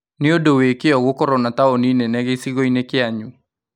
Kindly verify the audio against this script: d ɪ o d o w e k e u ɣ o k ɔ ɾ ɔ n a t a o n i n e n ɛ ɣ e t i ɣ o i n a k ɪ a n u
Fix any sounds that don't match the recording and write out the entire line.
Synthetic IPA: n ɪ o d o w e k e ɔ ɣ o k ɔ ɾ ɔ n a t a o n i n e n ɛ ɣ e s i ɣ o i n e k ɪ a ɲ u